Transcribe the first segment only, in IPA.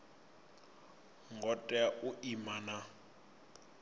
ŋ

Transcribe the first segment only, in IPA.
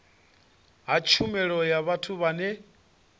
ɦ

